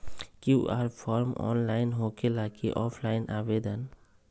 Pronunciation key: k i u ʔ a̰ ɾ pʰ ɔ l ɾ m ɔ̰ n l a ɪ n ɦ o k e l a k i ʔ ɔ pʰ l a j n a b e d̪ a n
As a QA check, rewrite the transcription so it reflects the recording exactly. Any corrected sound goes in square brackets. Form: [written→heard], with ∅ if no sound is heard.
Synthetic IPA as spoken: k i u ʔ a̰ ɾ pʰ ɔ [l→∅] ɾ m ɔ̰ n l a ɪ n ɦ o k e l a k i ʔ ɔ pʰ l a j n a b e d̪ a n

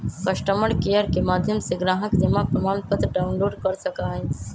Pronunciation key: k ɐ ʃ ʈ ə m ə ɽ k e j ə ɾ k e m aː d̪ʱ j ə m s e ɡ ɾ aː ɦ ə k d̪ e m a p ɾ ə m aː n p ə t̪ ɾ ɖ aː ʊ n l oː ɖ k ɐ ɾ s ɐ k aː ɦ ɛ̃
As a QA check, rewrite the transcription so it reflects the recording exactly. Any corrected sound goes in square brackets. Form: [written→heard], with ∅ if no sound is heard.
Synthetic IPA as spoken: k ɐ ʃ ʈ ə m ə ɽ k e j ə ɾ k e m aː d̪ʱ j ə m s e ɡ ɾ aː ɦ ə k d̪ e m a p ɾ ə m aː n p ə t̪ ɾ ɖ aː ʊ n l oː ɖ k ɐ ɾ s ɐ k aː ɦ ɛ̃

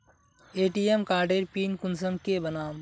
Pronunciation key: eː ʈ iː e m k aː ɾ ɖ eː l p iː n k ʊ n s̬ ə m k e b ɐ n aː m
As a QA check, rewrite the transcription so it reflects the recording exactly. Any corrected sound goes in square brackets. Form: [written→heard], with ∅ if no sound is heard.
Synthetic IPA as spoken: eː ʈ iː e m k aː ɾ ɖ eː [l→ɾ] p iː n k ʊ n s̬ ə m k e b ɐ n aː m

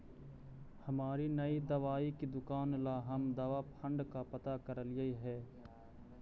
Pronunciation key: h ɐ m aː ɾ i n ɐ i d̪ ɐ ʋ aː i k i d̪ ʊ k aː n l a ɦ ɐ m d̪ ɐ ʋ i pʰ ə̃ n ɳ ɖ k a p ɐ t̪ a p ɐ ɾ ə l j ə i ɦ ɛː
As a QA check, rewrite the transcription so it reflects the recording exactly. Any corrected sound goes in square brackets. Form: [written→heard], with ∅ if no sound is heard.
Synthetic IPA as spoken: h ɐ m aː ɾ i n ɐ i d̪ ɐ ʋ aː i k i d̪ ʊ k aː n l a ɦ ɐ m d̪ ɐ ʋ [i→a] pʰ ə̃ [n→∅] ɳ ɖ k a p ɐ t̪ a [p→k] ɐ ɾ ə l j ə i ɦ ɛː

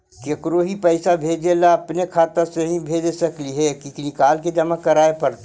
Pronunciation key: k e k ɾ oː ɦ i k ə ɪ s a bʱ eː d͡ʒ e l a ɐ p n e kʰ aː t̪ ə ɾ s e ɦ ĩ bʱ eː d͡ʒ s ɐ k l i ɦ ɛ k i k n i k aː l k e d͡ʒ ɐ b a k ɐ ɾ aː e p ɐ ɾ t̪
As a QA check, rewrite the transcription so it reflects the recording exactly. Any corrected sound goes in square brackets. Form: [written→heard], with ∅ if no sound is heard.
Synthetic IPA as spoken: k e k ɾ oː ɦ i [k→p] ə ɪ s a bʱ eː d͡ʒ e l a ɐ p n e kʰ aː t̪ ə ɾ s e ɦ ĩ bʱ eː d͡ʒ s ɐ k l i ɦ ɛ k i k n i k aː l k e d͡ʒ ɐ [b→m] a k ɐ ɾ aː e p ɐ ɾ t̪

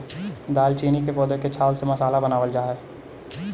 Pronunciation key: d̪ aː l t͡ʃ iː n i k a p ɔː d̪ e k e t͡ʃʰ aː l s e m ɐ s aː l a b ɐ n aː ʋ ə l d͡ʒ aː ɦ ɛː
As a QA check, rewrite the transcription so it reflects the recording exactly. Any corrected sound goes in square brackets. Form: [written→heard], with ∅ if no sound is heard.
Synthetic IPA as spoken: d̪ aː l t͡ʃ iː n i k [a→e] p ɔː d̪ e k e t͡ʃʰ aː l s e m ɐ s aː l a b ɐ n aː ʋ ə l d͡ʒ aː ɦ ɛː

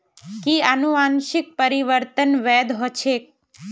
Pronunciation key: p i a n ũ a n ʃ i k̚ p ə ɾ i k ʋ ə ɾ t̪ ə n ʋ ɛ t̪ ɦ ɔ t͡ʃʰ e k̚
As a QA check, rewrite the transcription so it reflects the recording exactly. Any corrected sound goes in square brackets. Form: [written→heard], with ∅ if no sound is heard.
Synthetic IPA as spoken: [p→k] i a n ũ a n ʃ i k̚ p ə ɾ i [k→∅] ʋ ə ɾ t̪ ə n ʋ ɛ [t̪→d̪] ɦ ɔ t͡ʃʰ e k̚

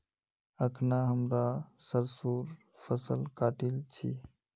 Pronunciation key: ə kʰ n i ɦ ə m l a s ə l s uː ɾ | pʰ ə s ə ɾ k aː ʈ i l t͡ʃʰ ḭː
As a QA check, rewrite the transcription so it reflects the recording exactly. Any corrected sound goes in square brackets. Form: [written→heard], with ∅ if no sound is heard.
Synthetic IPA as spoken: ə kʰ n [i→a] ɦ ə m [l→ɾ] a s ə [l→ɾ] s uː ɾ | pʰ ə s ə [ɾ→l] k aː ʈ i l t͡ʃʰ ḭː

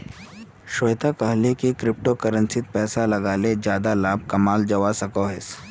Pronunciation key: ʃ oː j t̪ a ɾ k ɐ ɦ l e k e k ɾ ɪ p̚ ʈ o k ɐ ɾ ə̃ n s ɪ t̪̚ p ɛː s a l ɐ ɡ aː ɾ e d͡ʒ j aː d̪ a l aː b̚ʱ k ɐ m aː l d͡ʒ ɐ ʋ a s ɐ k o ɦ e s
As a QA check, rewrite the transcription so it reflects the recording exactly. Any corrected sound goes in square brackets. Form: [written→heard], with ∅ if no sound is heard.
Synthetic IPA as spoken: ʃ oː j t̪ a [ɾ→∅] k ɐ ɦ l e k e k ɾ ɪ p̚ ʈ o k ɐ ɾ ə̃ n s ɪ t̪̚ p ɛː s a l ɐ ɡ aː [ɾ→l] e d͡ʒ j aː d̪ a l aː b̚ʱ k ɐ m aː l d͡ʒ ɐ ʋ a s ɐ k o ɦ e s

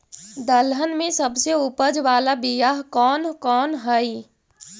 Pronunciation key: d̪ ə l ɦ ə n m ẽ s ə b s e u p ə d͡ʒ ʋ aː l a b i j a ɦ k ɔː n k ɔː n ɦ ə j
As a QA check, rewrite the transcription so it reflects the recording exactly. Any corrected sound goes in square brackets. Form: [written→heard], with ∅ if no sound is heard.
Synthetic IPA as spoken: d̪ ə l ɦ ə n m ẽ s ə b s e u p ə d͡ʒ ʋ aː l a b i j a ɦ k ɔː n k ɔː n ɦ ə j

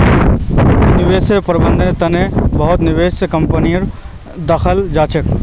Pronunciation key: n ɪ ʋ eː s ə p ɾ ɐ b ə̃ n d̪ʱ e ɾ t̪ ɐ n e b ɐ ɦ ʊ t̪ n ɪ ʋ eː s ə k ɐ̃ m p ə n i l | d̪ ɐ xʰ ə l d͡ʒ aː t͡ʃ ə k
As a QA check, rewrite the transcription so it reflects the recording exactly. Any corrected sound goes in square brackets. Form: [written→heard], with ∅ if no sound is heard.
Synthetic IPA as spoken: n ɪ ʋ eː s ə p ɾ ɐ b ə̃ n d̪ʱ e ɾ t̪ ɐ n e b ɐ ɦ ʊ t̪ n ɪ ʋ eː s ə k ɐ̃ m p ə n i [l→ɾ] | d̪ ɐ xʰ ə l d͡ʒ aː t͡ʃ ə k

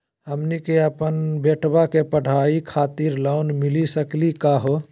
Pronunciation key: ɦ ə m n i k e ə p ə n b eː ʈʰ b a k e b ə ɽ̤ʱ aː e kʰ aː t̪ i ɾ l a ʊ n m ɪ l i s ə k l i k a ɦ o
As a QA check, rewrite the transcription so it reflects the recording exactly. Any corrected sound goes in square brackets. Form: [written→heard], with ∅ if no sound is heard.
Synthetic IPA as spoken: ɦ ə m n i k e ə p ə n b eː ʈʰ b a k e [b→p] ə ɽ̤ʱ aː [e→i] kʰ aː t̪ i ɾ l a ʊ n m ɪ l i s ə k l i k a ɦ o

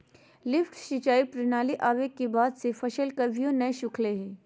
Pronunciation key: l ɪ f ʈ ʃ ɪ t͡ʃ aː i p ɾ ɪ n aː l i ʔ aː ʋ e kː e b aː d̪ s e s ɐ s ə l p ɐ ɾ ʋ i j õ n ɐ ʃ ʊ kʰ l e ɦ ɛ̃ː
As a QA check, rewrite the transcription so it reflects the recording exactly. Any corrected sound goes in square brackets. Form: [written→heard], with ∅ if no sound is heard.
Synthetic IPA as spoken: l ɪ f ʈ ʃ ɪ t͡ʃ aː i p ɾ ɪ n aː l i ʔ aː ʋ e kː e b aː d̪ s e [s→f] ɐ [s→ʃ] ə l [p→k] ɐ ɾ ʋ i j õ n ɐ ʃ ʊ kʰ l e ɦ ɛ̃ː

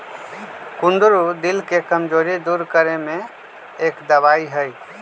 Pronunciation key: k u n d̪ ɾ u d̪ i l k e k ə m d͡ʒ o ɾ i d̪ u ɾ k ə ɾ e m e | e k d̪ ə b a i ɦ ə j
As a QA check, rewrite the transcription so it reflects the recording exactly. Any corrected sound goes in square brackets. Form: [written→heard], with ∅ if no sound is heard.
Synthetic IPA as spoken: k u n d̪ ɾ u d̪ i l k e k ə m d͡ʒ o ɾ i d̪ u ɾ k ə ɾ e m e | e k d̪ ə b a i ɦ ə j

